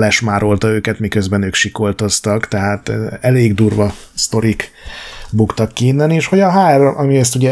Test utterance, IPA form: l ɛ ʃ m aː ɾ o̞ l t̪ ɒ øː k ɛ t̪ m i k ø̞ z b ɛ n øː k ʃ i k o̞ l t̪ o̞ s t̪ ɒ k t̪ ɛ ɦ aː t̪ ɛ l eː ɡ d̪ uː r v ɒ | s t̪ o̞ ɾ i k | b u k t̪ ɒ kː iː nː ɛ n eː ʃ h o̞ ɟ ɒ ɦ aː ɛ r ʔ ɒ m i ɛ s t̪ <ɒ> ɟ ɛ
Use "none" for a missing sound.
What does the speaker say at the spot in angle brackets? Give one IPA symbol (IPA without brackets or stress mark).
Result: u